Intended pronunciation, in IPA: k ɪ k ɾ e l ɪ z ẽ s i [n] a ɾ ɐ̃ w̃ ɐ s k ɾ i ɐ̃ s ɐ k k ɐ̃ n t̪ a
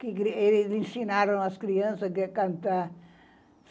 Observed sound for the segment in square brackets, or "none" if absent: n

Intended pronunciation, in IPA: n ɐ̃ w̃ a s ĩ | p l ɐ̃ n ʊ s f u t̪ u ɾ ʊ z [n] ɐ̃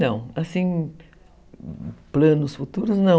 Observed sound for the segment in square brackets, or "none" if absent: n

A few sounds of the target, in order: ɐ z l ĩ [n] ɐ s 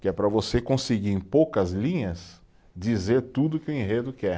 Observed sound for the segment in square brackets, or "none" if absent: ɲ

